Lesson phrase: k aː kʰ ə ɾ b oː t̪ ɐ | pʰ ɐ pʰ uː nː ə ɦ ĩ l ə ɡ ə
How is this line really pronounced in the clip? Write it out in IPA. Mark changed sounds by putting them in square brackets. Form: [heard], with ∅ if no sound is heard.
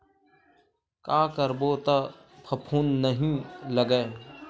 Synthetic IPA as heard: k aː [k] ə ɾ b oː t̪ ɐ | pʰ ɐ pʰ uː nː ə ɦ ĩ l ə ɡ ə